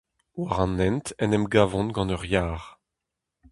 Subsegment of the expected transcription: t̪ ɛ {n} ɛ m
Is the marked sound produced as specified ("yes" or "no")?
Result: yes